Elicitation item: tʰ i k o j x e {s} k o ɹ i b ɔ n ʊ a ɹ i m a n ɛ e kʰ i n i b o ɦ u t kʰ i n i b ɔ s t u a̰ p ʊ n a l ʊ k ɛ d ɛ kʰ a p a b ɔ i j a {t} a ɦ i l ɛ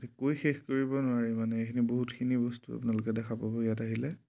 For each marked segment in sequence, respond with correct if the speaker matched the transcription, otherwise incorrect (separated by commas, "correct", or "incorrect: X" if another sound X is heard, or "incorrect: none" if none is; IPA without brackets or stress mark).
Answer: incorrect: x, correct